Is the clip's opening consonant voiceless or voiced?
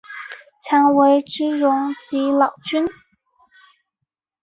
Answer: voiceless